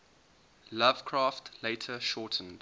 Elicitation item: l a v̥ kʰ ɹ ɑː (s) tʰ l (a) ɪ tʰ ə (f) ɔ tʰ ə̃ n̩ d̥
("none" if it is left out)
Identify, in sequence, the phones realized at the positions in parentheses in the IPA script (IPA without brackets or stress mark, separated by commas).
f, e, ʃ